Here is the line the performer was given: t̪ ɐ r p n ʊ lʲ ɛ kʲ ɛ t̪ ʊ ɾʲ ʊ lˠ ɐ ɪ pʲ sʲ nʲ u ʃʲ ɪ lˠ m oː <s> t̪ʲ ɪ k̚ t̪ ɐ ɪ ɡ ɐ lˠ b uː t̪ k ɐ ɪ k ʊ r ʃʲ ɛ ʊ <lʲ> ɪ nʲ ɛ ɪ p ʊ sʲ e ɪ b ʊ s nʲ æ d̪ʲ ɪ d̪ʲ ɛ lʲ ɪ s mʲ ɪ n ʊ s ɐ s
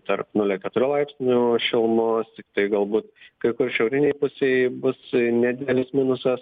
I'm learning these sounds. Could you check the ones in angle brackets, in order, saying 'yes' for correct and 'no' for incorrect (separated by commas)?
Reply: yes, no